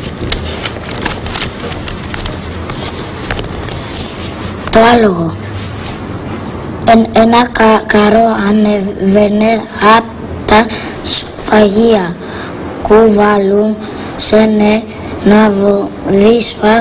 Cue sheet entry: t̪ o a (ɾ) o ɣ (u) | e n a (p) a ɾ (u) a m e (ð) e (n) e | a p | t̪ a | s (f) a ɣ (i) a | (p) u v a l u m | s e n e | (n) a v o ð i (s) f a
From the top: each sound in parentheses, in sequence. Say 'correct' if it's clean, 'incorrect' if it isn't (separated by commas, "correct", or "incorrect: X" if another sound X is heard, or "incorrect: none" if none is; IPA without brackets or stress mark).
incorrect: l, incorrect: o, incorrect: k, incorrect: o, incorrect: v, correct, correct, correct, incorrect: k, correct, correct